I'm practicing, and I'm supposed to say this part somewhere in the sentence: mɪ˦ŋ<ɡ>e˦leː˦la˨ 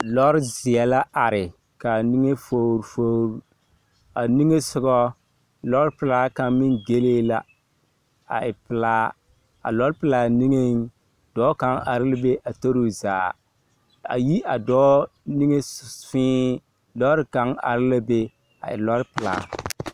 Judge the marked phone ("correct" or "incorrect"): correct